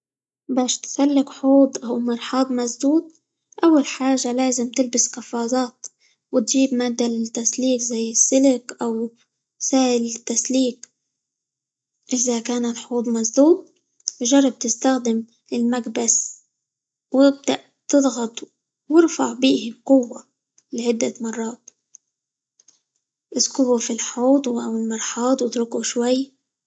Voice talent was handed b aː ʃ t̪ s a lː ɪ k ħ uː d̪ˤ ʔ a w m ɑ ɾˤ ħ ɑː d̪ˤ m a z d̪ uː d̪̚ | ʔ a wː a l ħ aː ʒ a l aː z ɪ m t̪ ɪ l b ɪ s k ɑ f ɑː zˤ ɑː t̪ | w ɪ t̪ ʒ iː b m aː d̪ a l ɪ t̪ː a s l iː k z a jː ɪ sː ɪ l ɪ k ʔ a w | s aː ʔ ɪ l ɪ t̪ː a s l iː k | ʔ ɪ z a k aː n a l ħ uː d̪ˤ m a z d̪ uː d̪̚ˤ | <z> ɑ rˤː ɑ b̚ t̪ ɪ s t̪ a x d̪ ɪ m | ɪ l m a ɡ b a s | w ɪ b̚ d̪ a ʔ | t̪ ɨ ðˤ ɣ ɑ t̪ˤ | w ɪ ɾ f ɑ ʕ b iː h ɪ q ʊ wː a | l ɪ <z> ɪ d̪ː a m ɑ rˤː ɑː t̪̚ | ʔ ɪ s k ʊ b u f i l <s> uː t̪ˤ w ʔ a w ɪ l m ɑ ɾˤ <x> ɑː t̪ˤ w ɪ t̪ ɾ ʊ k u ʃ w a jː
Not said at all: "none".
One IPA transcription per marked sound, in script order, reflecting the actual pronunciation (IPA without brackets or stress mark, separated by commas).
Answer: ʒ, ʕ, ħ, ħ